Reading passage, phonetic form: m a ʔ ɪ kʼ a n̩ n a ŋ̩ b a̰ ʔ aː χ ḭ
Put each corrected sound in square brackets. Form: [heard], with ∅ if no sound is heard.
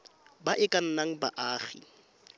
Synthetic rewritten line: [b] a ʔ ɪ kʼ a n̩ n a ŋ̩ b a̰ ʔ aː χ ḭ